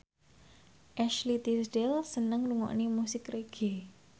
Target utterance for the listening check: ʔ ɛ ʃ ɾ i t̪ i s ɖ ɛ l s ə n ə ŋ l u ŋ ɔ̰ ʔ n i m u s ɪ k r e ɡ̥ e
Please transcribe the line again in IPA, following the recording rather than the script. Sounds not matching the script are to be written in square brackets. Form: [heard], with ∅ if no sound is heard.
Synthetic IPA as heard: ʔ ɛ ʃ [l] i t̪ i s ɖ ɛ l s ə n ə ŋ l u ŋ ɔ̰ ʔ n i m u s ɪ k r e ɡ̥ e

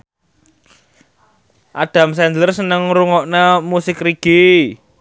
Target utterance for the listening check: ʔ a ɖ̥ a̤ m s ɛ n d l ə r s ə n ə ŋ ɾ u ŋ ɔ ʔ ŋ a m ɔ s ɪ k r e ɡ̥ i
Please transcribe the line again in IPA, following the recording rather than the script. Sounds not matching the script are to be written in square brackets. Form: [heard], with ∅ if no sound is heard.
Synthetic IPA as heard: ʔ a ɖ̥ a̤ m s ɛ n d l ə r s ə n ə ŋ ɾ u ŋ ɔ ʔ [n] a m [u] s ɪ k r [i] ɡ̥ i

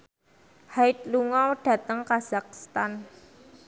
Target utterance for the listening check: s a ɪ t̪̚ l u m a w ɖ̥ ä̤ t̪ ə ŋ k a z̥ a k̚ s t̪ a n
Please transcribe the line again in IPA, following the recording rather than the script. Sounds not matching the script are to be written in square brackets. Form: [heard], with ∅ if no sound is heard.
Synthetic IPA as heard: [h] a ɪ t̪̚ l u [ŋ] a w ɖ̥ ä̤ t̪ ə ŋ k a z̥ a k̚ s t̪ a n

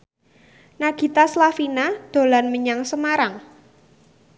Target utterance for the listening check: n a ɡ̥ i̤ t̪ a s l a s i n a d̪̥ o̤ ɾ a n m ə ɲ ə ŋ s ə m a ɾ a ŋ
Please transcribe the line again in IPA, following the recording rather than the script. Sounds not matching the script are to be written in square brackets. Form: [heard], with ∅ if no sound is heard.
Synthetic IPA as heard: n a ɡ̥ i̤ t̪ a s l a [f] i n a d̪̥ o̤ [l] a n m ə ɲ [a] ŋ s ə m a ɾ a ŋ

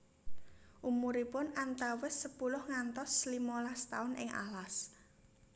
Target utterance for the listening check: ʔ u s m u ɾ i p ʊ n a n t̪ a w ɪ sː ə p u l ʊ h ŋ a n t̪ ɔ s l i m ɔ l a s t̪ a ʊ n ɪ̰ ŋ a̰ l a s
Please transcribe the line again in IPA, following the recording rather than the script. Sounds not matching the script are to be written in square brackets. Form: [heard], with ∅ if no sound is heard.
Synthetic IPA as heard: ʔ u [∅] m u ɾ i p ʊ n a n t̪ a w ɪ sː ə p u l ʊ h ŋ a n t̪ ɔ s l i m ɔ l a s t̪ a ʊ n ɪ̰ ŋ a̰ l a s

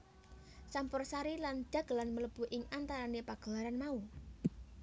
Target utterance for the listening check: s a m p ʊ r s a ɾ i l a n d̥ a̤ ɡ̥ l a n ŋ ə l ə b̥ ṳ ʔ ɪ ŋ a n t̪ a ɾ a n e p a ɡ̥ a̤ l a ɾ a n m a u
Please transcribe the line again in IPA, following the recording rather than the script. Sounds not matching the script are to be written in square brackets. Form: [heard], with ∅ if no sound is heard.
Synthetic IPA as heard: s a m p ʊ r s a ɾ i l a n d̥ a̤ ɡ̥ l a n [m] ə l ə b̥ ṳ ʔ ɪ ŋ a n t̪ a ɾ a n e p a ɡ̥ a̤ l a ɾ a n m a u

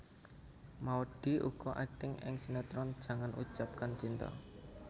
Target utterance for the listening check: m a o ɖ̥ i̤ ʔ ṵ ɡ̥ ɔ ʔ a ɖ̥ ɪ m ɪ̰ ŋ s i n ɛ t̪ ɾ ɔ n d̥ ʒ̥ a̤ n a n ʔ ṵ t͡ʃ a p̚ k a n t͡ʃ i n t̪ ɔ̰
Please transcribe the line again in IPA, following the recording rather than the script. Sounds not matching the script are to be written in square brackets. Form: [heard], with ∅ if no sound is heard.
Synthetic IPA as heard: m a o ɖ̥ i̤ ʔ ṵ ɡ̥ ɔ ʔ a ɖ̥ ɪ [ŋ] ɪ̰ ŋ s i n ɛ t̪ ɾ ɔ n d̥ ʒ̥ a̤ [ŋ] a n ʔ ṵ t͡ʃ a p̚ k a n t͡ʃ i n t̪ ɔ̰

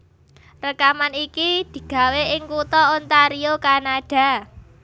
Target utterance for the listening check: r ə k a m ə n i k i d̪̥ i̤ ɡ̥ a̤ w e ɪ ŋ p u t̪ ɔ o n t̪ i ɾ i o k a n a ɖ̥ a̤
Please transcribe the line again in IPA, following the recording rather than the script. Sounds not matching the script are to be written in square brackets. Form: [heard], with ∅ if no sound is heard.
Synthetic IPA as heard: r ə k a m [a] n i k i d̪̥ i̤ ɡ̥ a̤ w e ɪ ŋ [k] u t̪ ɔ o n t̪ [a] ɾ i o k a n a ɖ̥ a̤

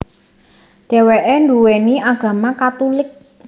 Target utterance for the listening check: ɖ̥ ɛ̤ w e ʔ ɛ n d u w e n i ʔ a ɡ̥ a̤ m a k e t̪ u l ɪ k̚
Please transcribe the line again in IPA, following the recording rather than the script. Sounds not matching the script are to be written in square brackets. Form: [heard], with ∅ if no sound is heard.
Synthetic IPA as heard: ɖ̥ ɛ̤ w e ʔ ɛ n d u w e n i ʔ a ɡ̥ a̤ m a k [a] t̪ u l ɪ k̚

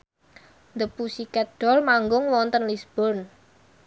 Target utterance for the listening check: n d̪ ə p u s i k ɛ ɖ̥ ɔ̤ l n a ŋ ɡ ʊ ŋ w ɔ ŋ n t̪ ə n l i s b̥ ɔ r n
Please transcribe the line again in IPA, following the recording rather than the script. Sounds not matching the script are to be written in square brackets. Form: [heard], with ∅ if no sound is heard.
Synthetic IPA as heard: n d̪ ə p u s i k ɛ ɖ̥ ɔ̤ l [m] a ŋ ɡ ʊ ŋ w ɔ [∅] n t̪ ə n l i s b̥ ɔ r n

